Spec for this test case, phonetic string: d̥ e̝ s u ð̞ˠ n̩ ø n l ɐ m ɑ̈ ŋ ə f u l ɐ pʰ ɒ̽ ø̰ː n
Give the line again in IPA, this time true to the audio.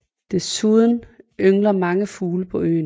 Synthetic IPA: d̥ e̝ s u ð̞ˠ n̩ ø ŋ l ɐ m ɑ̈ ŋ ə f uː l ə pʰ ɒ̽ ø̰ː n